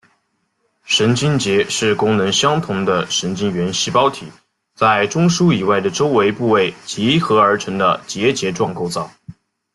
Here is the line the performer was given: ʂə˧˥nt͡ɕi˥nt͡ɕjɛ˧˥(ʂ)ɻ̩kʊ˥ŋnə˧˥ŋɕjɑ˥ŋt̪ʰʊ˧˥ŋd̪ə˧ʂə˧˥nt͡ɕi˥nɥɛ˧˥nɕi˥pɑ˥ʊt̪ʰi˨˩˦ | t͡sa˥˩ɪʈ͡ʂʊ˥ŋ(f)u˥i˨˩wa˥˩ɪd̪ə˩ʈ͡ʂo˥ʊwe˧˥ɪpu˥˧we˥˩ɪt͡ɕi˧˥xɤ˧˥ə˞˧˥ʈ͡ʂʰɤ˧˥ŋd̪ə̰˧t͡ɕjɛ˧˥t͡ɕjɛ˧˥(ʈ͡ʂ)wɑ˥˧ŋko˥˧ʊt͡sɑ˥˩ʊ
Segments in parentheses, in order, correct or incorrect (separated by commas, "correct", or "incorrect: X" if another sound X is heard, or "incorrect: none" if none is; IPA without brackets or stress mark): correct, incorrect: ʂ, correct